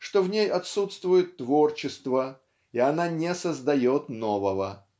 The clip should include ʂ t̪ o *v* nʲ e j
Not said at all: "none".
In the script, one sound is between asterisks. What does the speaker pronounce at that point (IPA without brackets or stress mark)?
v